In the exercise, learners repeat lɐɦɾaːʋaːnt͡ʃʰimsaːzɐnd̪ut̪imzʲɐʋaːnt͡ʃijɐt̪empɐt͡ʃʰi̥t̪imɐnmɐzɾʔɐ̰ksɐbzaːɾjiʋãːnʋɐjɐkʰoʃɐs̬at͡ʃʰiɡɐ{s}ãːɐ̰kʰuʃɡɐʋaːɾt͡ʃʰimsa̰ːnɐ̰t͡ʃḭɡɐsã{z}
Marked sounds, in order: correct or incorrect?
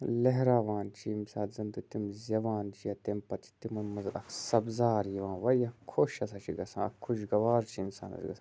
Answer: correct, incorrect: none

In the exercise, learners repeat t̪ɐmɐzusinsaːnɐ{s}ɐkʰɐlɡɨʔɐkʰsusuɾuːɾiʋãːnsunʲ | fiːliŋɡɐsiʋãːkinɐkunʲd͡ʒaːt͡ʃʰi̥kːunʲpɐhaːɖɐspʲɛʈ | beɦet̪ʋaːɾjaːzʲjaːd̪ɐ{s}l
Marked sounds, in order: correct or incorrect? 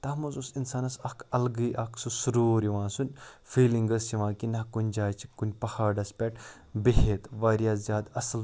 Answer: correct, correct

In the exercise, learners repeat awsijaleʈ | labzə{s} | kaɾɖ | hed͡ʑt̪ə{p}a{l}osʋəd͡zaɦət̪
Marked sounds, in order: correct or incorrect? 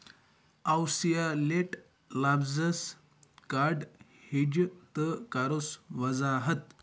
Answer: correct, incorrect: k, incorrect: ɾ

